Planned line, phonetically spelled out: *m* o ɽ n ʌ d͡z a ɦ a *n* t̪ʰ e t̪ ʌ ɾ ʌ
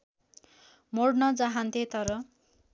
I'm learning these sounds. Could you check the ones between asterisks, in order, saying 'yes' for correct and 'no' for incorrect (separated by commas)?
yes, yes